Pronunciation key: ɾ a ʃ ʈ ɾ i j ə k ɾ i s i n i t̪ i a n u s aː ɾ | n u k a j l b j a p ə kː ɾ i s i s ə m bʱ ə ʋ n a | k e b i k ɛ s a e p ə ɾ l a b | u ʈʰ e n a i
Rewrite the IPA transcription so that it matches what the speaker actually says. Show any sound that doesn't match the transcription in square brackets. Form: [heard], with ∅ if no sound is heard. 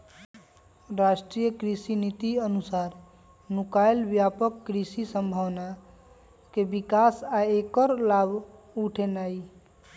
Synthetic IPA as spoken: ɾ a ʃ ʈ ɾ i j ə k ɾ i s i n i t̪ i [ə] n u s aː ɾ | n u k a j l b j a p ə kː ɾ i s i s ə m bʱ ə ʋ n a | k e b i k [a] s a e [k] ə ɾ l a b | u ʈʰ e n a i